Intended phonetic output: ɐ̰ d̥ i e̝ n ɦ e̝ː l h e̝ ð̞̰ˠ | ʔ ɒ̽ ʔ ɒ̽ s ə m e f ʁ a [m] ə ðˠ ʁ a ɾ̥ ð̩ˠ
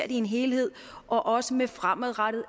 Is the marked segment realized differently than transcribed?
no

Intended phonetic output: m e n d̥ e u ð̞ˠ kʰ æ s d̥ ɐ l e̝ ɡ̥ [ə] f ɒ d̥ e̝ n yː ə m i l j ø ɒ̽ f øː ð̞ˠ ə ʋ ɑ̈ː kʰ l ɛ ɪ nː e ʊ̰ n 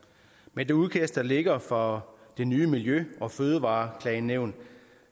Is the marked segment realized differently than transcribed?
yes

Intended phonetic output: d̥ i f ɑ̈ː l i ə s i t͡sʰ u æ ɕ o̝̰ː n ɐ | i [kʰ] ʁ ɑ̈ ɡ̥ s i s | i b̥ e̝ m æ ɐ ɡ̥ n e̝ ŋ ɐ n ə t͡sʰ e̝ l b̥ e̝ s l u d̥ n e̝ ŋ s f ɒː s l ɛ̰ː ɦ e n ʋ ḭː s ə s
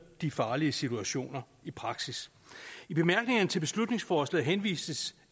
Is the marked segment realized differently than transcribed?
yes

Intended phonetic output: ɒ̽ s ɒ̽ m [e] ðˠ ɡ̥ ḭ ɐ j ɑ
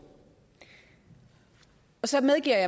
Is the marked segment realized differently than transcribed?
no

